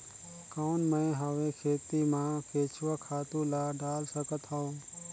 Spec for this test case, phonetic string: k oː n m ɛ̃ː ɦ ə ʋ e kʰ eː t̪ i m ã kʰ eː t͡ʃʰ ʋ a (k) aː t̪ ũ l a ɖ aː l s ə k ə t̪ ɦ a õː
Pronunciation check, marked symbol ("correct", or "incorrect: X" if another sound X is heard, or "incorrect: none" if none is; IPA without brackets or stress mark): incorrect: kʰ